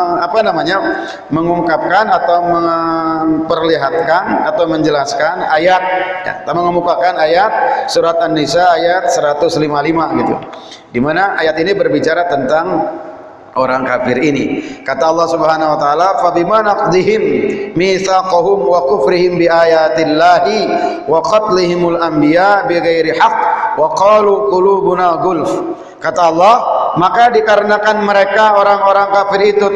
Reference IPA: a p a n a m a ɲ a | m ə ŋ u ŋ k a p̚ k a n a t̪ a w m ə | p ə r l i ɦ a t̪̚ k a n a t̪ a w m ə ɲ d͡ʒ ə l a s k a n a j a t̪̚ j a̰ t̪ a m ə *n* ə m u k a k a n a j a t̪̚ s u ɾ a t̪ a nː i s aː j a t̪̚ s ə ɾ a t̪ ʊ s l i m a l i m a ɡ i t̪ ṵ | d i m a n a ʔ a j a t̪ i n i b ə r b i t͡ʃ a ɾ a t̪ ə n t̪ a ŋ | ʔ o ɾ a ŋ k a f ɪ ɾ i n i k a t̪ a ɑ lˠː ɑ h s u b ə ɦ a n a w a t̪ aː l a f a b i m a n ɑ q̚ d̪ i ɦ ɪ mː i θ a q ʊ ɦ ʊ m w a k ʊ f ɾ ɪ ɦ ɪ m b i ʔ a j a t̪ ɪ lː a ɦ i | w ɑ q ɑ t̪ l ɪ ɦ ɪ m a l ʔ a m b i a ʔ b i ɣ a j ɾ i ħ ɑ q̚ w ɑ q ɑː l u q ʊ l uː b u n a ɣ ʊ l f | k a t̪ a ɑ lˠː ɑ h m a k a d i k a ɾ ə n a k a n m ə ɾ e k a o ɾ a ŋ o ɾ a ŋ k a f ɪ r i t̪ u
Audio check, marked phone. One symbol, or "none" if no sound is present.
ŋ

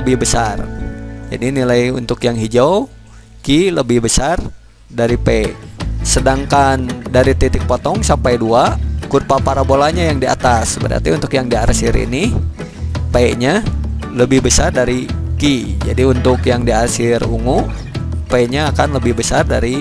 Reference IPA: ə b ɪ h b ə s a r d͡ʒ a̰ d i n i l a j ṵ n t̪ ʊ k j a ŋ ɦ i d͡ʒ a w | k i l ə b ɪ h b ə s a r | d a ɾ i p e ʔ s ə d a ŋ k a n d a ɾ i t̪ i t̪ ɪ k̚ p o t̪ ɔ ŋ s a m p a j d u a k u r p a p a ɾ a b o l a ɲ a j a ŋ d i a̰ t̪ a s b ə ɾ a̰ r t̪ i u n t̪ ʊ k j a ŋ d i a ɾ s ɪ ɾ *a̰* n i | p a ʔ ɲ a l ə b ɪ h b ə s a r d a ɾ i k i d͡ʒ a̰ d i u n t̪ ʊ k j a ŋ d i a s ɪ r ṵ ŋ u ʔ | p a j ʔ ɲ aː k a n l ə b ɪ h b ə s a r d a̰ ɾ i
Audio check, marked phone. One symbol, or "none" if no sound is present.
ḭ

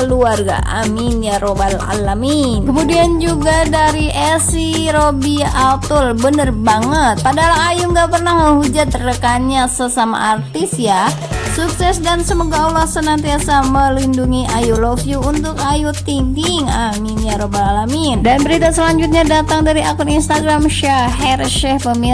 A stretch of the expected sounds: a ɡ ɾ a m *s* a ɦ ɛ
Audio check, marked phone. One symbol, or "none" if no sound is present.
ʃ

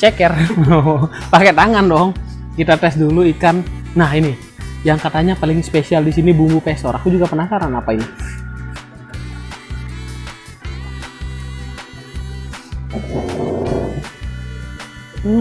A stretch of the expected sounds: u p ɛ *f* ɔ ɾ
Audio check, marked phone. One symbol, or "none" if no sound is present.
s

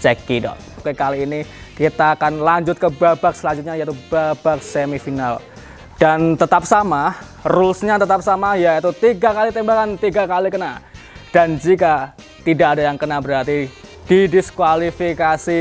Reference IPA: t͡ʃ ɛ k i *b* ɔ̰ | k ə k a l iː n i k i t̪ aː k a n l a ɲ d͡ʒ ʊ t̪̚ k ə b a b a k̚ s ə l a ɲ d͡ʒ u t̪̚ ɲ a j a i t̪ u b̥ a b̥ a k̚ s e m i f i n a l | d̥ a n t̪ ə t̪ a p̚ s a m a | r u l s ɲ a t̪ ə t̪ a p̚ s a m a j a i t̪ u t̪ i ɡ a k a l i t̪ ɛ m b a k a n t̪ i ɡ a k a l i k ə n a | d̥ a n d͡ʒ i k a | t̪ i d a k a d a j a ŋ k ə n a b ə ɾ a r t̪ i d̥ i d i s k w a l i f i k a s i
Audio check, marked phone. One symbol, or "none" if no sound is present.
d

